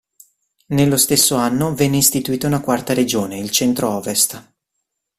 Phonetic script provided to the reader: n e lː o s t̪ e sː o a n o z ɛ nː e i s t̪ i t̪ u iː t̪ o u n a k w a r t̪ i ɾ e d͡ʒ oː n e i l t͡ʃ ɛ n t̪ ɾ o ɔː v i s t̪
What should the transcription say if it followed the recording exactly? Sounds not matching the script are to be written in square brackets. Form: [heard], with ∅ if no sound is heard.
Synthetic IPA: n e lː o s t̪ e sː o a [nː] o [v] ɛ nː e i s t̪ i t̪ u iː t̪ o u n a k w a r t̪ [a] ɾ e d͡ʒ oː n e i l t͡ʃ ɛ n t̪ ɾ o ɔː v [e] s t̪